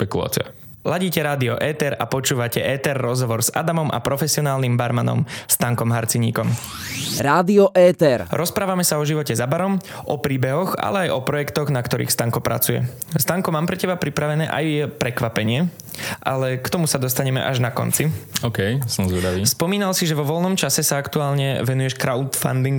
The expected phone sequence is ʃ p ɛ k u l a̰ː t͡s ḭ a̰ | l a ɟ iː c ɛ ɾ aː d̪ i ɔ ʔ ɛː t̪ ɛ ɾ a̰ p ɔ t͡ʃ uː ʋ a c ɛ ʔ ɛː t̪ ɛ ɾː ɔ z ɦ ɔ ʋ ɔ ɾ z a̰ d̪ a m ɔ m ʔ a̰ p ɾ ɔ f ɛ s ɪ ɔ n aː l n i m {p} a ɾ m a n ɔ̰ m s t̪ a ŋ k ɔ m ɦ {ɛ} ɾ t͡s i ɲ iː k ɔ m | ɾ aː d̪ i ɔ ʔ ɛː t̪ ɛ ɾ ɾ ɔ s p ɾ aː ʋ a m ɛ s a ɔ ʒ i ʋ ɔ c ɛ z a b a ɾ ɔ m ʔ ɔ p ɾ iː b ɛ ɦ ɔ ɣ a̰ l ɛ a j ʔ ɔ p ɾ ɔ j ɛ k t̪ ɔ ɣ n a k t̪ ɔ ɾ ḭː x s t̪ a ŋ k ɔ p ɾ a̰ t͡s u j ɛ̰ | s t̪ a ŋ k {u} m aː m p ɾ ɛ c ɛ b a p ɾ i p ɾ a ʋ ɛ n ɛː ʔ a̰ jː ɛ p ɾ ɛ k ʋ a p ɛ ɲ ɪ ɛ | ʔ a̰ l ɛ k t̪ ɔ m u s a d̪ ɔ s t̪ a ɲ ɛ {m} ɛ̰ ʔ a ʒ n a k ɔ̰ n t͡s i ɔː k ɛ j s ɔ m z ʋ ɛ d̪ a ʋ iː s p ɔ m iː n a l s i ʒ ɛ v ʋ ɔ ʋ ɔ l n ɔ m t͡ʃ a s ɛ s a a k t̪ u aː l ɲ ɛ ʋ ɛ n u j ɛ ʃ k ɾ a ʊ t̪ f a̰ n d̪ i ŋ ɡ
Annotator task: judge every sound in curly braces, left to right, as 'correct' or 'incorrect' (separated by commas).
incorrect, incorrect, incorrect, correct